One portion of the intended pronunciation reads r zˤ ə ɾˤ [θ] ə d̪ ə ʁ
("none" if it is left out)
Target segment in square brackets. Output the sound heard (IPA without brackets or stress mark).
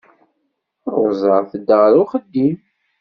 θ